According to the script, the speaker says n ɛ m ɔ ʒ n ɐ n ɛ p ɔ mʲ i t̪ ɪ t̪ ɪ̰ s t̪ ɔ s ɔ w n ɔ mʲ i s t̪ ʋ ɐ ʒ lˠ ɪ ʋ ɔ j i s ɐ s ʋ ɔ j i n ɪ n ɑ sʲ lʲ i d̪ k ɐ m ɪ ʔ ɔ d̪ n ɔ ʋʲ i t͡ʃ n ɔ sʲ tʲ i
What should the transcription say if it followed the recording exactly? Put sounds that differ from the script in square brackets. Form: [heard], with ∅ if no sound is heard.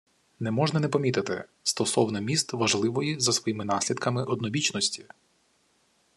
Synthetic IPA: n ɛ m ɔ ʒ n ɐ n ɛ p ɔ mʲ i t̪ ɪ t̪ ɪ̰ s t̪ ɔ s ɔ w n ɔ mʲ i s t̪ ʋ ɐ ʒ lˠ ɪ ʋ ɔ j i [z] ɐ s ʋ ɔ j i [m] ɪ n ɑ sʲ lʲ i d̪ k ɐ m ɪ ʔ ɔ d̪ n ɔ ʋʲ i t͡ʃ n ɔ sʲ tʲ i